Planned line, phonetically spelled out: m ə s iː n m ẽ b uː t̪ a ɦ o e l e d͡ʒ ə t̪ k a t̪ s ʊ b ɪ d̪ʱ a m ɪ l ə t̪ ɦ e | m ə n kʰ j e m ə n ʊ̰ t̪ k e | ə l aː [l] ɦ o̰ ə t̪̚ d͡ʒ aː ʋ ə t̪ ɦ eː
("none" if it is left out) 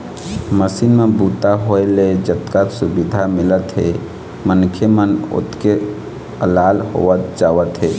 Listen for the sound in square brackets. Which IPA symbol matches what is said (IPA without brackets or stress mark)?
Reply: l